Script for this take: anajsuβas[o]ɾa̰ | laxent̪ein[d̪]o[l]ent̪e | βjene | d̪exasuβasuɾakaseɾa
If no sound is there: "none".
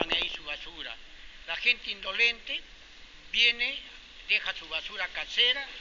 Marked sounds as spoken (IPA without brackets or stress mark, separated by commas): u, d̪, l